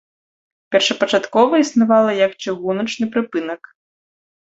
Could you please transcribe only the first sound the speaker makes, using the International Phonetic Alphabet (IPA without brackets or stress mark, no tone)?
pʲ